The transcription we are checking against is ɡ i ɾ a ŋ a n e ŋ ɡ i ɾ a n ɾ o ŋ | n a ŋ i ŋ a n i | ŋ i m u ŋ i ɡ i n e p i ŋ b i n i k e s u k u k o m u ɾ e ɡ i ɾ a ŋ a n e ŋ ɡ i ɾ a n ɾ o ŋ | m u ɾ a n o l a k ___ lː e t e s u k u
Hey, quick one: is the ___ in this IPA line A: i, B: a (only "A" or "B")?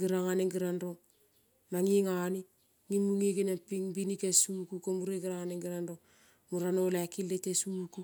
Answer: A